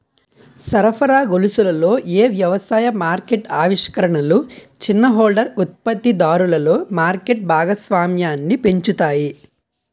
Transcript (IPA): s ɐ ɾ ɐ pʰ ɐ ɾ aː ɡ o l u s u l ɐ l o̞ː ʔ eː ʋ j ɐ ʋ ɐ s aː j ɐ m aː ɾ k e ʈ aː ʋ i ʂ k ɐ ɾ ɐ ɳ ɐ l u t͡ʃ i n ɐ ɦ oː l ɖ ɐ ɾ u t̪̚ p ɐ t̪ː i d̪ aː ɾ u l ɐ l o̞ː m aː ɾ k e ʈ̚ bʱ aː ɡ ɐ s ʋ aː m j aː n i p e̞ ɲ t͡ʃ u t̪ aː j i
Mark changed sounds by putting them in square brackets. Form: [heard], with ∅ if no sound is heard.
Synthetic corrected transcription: s ɐ ɾ ɐ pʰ ɐ ɾ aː ɡ o l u s u l ɐ l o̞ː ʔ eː ʋ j ɐ ʋ ɐ s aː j ɐ m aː ɾ k e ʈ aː ʋ i ʂ k ɐ ɾ ɐ ɳ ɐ l u t͡ʃ i [nː] ɐ ɦ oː l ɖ ɐ ɾ u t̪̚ p ɐ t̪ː i d̪ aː ɾ u l ɐ l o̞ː m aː ɾ k e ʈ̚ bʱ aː ɡ ɐ s ʋ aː m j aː [nː] i p e̞ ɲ t͡ʃ u t̪ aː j i